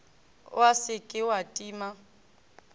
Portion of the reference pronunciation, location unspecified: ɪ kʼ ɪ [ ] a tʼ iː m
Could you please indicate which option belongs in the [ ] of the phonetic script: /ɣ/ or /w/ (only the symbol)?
w